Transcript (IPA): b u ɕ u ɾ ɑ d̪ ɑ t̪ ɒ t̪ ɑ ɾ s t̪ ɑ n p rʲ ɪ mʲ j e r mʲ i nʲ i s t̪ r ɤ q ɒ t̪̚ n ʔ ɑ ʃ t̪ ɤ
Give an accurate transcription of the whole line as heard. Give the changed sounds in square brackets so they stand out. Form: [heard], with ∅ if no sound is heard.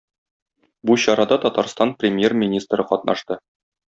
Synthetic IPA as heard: b u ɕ [ɒ] ɾ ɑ d̪ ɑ t̪ ɒ t̪ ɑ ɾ s t̪ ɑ n p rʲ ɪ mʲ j e r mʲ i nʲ i s t̪ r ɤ q ɒ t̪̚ n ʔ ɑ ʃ t̪ ɤ